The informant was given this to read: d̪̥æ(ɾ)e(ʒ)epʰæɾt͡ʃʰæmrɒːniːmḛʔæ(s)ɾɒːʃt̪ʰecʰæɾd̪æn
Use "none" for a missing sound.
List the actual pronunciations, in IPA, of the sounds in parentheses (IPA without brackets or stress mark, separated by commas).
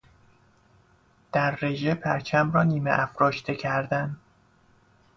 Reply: ɾː, ʒ, f